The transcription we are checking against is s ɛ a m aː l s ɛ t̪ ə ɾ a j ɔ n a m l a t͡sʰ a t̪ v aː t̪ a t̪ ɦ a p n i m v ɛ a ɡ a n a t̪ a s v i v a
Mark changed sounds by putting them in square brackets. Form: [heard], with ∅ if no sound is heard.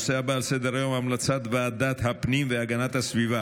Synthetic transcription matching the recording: s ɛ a [b] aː l s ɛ [d̪] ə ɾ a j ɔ [m] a m l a t͡sʰ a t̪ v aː [d̪] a t̪ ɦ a p n i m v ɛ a ɡ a n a t̪ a s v i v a